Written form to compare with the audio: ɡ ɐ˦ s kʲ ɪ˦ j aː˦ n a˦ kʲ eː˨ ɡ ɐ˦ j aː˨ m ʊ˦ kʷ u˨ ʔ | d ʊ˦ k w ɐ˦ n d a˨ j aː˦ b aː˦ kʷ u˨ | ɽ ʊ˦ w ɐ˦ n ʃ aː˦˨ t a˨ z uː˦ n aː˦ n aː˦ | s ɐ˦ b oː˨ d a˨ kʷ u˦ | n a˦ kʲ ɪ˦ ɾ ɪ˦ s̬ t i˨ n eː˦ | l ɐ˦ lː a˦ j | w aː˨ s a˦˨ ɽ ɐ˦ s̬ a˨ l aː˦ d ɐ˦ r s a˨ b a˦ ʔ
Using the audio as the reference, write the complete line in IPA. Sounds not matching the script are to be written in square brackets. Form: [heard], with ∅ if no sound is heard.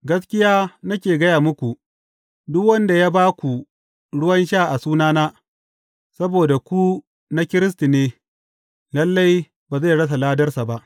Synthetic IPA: ɡ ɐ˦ s kʲ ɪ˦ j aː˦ n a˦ kʲ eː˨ ɡ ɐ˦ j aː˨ m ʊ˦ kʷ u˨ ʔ | d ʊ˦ k w ɐ˦ n d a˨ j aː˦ b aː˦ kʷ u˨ | ɽ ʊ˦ w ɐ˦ n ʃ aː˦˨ [ʔ] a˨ [s] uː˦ n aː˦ n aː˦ | s ɐ˦ b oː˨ d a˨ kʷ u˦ | n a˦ kʲ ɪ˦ ɾ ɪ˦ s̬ t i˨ n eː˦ | l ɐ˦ lː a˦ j | [b] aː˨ [z] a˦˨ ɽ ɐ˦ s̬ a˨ l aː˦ d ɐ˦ r s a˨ b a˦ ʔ